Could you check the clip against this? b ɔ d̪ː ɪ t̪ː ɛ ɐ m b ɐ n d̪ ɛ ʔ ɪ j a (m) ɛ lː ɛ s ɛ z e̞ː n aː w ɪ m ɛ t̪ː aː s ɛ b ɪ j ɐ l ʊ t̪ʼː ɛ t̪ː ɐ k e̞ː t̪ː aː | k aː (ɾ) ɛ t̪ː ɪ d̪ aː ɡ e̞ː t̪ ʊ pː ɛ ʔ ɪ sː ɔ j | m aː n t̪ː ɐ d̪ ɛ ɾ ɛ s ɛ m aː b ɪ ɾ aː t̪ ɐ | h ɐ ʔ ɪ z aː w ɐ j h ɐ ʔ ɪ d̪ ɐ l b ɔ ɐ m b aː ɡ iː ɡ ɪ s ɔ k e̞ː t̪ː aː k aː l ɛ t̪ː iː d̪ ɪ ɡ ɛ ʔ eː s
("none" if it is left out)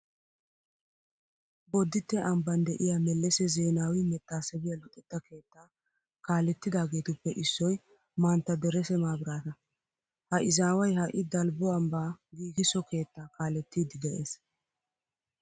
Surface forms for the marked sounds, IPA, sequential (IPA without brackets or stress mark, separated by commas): m, l